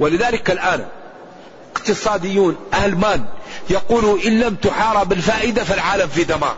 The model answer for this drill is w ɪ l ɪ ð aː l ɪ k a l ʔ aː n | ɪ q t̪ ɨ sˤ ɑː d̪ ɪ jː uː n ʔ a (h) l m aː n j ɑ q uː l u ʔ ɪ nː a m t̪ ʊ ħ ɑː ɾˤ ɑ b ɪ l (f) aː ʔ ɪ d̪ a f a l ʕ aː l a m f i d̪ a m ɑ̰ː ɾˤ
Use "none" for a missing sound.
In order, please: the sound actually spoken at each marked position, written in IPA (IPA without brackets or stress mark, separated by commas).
h, f